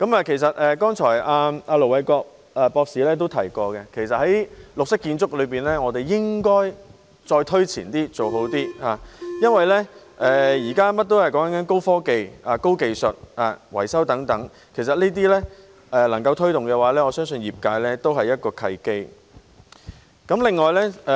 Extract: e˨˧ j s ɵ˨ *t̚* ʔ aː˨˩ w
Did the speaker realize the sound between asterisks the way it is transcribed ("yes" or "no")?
yes